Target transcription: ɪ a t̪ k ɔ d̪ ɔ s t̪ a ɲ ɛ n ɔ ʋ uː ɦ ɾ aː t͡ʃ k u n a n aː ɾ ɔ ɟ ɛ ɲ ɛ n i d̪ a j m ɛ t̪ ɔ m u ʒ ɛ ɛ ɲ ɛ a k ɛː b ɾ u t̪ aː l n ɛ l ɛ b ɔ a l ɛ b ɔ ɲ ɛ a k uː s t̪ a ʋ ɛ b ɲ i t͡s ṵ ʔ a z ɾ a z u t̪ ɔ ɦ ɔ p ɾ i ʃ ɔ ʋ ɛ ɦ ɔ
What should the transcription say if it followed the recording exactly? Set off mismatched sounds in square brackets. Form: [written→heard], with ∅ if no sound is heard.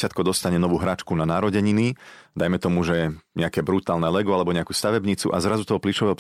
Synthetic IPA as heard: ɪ a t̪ k ɔ d̪ ɔ s t̪ a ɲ ɛ n ɔ ʋ uː ɦ ɾ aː t͡ʃ k u n a n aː ɾ ɔ ɟ ɛ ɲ [ɛ→i] n i d̪ a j m ɛ t̪ ɔ m u ʒ ɛ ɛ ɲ ɛ a k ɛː b ɾ u t̪ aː l n ɛ l ɛ [b→ɡ] ɔ a l ɛ b ɔ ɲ ɛ a k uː s t̪ a ʋ ɛ b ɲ i t͡s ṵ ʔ a z ɾ a z u t̪ ɔ ɦ ɔ p [ɾ→l] i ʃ ɔ ʋ ɛ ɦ ɔ